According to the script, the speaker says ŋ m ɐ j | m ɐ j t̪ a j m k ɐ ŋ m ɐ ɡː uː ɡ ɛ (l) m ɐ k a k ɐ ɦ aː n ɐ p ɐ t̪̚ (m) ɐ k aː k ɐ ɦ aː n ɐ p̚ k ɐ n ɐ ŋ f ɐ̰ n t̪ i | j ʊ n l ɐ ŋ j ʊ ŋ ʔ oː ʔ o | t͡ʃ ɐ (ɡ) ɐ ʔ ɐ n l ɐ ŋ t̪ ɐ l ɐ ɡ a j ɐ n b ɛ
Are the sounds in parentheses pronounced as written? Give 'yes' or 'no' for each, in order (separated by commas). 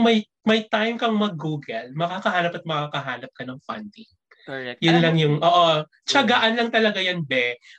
yes, yes, yes